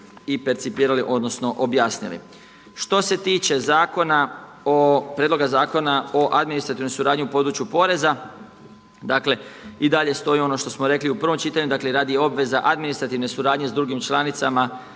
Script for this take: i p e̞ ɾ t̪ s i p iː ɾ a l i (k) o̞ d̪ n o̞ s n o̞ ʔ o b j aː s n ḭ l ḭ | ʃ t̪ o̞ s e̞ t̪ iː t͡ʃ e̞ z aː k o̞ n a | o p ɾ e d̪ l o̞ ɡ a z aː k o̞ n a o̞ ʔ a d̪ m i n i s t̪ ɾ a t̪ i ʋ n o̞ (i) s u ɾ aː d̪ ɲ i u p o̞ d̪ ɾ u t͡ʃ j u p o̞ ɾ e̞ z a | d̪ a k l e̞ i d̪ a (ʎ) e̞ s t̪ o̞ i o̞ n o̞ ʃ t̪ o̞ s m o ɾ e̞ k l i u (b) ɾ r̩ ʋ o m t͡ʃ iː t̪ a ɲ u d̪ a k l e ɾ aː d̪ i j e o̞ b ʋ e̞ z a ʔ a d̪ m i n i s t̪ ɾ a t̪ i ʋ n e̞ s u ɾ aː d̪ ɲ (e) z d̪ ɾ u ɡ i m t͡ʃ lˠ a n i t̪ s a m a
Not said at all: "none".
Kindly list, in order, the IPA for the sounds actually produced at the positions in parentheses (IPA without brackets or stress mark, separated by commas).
ʔ, j, ʎ, p, e